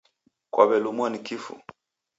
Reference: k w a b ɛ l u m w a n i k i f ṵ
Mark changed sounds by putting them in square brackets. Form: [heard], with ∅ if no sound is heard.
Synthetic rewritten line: k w a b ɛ l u m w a n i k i f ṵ